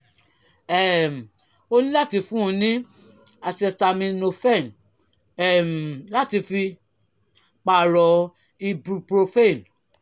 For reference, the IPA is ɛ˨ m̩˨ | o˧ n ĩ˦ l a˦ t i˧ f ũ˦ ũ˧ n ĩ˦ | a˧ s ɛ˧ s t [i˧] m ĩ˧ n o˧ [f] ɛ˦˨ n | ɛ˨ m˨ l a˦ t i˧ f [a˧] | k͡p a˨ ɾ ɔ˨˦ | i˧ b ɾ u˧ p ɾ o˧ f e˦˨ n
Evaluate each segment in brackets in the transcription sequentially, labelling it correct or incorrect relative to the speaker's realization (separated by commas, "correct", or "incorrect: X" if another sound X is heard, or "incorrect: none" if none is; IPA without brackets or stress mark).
incorrect: a˧, correct, incorrect: i˧